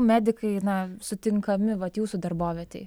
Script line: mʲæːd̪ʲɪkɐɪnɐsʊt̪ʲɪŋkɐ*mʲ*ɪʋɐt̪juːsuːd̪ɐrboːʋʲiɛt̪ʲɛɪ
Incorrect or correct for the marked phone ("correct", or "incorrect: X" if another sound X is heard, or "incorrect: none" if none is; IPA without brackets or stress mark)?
correct